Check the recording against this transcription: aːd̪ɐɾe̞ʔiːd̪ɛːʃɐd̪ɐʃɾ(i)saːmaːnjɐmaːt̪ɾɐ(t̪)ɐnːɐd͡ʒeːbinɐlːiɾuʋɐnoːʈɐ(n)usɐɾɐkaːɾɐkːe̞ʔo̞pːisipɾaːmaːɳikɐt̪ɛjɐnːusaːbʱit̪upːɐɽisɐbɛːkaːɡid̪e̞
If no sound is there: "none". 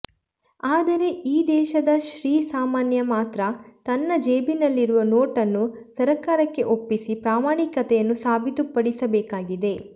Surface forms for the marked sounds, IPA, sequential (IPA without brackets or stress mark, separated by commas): iː, t̪, nː